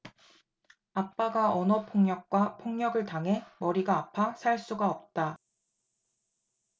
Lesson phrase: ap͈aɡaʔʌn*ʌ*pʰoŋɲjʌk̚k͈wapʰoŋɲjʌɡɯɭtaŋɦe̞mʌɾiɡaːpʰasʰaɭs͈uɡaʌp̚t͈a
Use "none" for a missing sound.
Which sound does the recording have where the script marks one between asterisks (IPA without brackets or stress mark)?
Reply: ʌ